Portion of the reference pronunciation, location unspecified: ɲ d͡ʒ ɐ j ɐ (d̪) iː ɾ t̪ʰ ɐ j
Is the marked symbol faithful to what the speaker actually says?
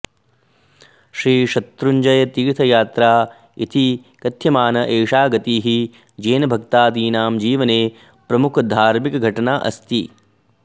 no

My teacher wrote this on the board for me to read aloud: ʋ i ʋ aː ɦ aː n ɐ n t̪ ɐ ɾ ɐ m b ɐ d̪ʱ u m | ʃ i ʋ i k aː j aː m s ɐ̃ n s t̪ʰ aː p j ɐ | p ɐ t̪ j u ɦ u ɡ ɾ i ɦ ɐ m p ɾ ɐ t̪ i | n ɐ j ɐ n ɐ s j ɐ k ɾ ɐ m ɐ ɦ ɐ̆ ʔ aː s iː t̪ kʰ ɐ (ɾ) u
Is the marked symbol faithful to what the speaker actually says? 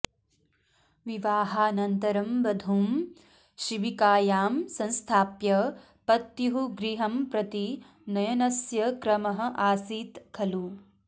no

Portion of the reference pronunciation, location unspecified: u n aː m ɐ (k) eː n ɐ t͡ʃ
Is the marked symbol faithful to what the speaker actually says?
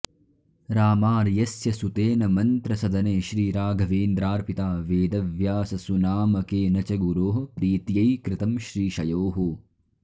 yes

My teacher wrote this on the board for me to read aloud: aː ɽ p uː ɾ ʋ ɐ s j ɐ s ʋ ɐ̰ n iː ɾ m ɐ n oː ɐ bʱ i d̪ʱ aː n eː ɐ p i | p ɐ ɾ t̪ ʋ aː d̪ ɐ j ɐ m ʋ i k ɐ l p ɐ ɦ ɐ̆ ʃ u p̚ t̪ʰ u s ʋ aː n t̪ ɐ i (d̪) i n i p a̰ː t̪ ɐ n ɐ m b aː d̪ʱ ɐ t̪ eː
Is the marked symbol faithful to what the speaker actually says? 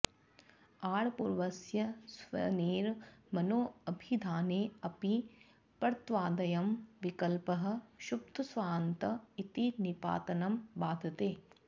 no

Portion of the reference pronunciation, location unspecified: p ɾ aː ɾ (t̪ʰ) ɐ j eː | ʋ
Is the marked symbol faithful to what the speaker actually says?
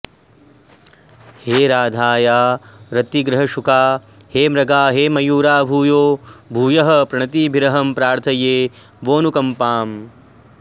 yes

